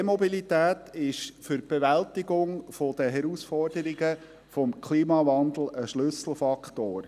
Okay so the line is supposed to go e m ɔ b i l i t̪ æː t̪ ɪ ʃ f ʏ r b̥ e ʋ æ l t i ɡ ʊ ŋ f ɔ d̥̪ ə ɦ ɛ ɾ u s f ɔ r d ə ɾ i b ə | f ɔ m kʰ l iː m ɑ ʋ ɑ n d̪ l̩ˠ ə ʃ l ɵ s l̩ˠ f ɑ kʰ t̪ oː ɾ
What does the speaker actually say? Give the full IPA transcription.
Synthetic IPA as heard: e m ɔ b i l i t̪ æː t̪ ɪ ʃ f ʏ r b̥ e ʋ æ l t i ɡ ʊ ŋ f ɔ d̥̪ ə ɦ ɛ ɾ u s f ɔ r d ə ɾ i ɡ ə | f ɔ m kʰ l iː m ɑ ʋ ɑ n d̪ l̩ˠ ə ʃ l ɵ s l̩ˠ f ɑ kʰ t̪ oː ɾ